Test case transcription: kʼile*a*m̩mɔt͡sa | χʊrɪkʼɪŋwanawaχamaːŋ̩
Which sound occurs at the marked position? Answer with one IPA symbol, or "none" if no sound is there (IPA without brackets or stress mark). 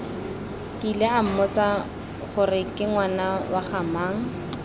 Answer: a